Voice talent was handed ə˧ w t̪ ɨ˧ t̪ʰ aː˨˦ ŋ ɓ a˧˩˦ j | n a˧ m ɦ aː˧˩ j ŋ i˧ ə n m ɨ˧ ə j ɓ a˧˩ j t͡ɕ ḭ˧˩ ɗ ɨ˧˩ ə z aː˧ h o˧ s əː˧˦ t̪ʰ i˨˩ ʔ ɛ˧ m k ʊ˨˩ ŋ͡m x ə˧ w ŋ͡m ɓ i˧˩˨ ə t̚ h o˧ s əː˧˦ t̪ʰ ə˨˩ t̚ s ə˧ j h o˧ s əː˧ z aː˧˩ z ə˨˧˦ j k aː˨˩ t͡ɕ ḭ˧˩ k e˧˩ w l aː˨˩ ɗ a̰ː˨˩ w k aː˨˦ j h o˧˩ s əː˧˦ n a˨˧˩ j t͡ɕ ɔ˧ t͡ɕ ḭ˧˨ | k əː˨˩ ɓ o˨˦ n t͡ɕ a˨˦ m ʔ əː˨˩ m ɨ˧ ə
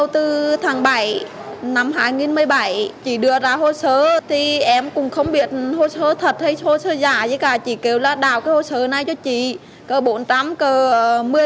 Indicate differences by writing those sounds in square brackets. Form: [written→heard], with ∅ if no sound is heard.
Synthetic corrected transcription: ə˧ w t̪ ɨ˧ t̪ʰ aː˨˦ ŋ ɓ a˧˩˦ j | n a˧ m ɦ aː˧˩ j ŋ i˧ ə n m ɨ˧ ə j ɓ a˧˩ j t͡ɕ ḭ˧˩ ɗ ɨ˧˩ ə z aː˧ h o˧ s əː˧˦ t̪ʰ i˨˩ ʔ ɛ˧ m k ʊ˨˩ ŋ͡m x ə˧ w ŋ͡m ɓ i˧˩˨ ə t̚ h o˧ s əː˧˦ t̪ʰ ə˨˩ t̚ [s→h] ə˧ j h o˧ s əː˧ z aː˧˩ z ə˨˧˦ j k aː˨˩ t͡ɕ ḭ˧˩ k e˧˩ w l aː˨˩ ɗ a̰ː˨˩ w k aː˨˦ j h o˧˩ s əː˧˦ n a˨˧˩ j t͡ɕ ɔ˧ t͡ɕ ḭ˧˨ | k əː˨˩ ɓ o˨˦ n t͡ɕ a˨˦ m [ʔ→k] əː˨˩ m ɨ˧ ə